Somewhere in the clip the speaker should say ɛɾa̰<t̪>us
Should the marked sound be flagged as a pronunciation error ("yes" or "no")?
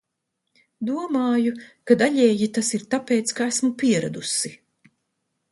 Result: yes